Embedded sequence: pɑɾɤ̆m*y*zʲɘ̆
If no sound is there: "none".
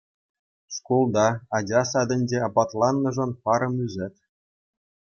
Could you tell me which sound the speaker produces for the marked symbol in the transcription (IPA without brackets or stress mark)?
y